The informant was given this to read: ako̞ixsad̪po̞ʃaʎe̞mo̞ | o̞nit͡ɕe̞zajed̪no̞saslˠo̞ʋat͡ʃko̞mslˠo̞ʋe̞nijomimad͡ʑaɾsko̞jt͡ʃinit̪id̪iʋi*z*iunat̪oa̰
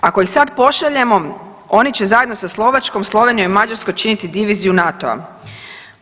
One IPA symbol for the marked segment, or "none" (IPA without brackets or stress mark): z